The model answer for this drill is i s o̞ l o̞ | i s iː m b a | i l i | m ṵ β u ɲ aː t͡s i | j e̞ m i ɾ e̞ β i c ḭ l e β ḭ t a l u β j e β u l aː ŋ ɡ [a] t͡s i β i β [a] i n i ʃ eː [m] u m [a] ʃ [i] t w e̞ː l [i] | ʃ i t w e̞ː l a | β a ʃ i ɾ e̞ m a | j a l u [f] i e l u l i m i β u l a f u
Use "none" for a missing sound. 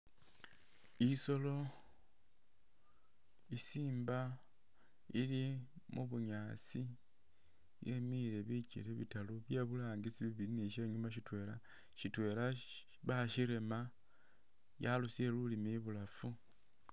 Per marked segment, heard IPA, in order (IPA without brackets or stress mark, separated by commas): i, i, ɲ, a, i, a, s